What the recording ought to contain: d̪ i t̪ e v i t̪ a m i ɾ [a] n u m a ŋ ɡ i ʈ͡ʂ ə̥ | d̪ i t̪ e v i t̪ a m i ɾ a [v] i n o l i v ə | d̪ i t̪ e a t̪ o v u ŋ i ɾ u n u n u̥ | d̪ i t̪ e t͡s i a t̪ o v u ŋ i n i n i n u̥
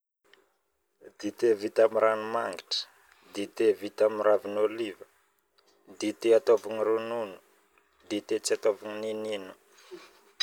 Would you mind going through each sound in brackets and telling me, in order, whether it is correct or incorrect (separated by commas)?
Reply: correct, correct